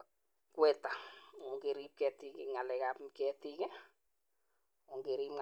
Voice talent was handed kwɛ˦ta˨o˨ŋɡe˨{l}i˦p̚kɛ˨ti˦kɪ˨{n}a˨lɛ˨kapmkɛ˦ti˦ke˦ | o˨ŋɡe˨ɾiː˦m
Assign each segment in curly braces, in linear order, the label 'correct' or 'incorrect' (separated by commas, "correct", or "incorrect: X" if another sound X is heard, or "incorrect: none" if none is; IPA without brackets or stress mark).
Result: incorrect: ɾ, incorrect: ŋ